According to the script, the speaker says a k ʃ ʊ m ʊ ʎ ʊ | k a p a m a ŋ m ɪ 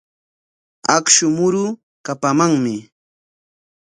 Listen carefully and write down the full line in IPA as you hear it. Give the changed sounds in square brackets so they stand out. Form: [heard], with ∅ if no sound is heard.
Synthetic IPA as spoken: a k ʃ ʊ m ʊ [ɾ] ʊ | k a p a m a ŋ m ɪ